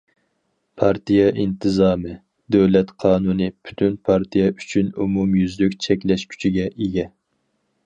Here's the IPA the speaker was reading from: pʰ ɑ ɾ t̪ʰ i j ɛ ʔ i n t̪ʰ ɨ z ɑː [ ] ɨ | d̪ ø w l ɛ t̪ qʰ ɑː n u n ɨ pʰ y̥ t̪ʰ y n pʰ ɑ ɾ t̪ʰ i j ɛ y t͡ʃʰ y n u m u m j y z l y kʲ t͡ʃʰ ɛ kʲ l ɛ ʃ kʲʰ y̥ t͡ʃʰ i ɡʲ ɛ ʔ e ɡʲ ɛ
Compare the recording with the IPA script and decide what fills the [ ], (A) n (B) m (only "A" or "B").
B